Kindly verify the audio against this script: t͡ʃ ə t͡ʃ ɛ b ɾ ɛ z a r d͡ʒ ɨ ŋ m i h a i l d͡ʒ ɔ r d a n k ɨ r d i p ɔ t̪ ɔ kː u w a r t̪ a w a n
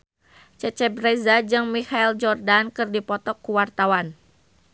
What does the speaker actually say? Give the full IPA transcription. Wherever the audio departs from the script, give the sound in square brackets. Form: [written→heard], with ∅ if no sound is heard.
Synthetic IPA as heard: t͡ʃ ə t͡ʃ ɛ b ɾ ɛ z a [r→∅] d͡ʒ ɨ ŋ m i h a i l d͡ʒ ɔ r d a n k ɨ r d i p ɔ t̪ ɔ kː u w a r t̪ a w a n